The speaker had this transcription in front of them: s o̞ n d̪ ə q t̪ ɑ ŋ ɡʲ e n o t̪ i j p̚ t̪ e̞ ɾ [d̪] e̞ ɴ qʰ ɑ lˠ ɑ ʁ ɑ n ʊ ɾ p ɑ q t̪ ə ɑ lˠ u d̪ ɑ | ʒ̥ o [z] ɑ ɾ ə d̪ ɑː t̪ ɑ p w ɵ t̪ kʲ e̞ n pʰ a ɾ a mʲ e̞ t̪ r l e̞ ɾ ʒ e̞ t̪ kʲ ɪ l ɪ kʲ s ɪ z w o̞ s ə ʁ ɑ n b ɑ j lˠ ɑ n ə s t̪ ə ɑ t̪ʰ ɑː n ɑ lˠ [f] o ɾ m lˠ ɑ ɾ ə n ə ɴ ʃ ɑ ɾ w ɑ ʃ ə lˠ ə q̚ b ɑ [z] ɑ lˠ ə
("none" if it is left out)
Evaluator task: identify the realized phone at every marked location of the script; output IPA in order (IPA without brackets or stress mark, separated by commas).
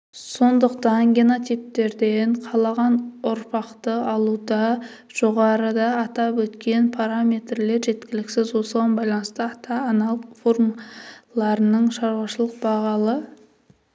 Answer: d̪, ʁ, f, ʁ